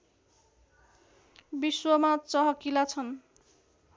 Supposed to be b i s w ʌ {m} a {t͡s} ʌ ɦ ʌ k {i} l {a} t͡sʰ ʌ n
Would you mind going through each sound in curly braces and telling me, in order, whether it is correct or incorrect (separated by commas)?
correct, correct, correct, correct